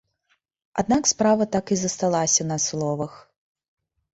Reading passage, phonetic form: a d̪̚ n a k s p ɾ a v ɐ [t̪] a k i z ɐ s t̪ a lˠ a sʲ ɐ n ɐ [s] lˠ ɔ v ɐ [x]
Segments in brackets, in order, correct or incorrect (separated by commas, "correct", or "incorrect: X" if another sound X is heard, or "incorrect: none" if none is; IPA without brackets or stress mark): correct, correct, correct